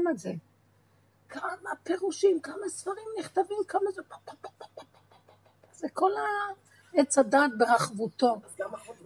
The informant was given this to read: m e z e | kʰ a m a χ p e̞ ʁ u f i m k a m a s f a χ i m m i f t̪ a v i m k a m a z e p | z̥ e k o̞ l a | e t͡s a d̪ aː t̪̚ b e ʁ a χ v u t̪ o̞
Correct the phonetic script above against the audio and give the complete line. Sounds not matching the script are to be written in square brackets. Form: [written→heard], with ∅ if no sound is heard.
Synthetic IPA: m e z e | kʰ a m a [χ→∅] p e̞ ʁ u [f→ʃ] i m k a m a s f a [χ→ʁ] i m [m→n] i [f→χ] t̪ a v i m k a m a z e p | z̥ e k o̞ l a | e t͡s a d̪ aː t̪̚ b e ʁ a χ v u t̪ o̞